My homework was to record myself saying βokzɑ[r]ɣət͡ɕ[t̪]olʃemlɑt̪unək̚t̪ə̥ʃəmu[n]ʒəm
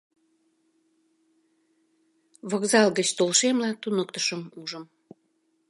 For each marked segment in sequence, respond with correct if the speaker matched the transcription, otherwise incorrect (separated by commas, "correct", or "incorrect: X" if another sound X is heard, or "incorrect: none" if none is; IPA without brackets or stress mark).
incorrect: l, correct, incorrect: none